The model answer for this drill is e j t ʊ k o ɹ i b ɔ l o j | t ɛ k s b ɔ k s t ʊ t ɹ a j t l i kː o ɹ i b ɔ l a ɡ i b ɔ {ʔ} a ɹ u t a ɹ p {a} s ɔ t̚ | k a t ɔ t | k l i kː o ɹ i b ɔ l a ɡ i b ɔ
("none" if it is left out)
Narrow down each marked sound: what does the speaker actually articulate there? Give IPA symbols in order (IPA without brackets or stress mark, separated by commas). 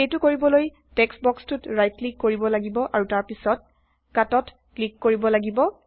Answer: ʔ, i